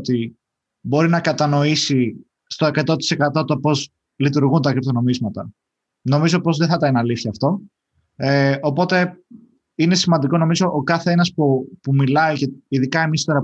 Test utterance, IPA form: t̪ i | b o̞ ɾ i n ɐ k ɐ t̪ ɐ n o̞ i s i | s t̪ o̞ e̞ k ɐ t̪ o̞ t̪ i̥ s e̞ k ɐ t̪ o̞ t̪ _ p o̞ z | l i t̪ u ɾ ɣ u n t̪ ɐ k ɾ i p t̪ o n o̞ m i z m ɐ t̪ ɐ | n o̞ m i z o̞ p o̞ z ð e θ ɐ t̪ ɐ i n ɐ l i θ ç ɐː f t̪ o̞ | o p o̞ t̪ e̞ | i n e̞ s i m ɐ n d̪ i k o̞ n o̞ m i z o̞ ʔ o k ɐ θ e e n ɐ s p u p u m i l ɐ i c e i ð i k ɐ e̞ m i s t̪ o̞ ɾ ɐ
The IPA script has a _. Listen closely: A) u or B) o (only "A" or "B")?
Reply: B